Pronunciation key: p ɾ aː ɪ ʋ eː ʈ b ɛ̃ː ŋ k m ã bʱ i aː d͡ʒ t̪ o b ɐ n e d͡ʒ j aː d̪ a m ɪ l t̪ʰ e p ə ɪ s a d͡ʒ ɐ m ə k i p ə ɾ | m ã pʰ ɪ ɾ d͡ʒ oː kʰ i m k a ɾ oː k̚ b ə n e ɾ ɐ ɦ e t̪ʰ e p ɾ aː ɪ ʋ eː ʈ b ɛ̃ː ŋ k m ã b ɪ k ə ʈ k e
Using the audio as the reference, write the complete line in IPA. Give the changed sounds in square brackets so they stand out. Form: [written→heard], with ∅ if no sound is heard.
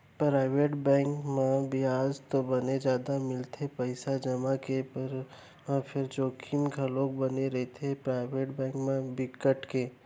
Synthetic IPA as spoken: p ɾ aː ɪ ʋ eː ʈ b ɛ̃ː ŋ k m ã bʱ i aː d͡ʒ t̪ o b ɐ n e d͡ʒ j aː d̪ a m ɪ l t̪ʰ e p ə ɪ s a d͡ʒ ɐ m [ə→a] k [i→e] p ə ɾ | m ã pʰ ɪ ɾ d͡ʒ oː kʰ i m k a [ɾ→l] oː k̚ b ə n e ɾ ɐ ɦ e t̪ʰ e p ɾ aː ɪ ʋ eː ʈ b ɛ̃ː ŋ k m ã b ɪ k ə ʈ k e